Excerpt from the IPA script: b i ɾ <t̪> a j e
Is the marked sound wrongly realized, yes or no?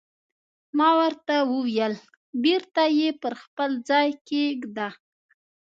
no